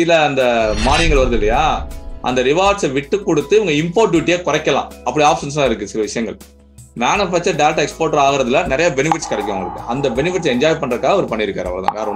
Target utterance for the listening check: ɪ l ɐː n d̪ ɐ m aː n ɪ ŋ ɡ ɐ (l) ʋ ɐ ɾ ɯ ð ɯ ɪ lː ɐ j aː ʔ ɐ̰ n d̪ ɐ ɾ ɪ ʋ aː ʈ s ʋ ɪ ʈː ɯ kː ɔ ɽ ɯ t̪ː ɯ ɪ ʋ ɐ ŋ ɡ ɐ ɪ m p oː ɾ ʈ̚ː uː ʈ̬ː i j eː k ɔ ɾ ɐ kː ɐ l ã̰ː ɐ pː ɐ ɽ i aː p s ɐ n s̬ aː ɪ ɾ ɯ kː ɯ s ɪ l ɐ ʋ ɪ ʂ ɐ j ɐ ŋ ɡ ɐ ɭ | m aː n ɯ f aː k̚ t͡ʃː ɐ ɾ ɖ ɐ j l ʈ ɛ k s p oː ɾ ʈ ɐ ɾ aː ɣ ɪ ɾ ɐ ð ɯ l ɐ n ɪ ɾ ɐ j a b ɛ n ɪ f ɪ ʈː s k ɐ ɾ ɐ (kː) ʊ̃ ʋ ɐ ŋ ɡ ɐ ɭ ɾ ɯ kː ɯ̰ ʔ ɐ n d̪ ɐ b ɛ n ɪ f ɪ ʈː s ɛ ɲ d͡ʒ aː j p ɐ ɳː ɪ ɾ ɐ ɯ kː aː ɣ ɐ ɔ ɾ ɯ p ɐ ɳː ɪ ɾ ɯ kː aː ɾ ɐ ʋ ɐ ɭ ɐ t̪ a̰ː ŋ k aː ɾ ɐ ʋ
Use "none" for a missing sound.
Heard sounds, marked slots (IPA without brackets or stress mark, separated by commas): ɭ, kː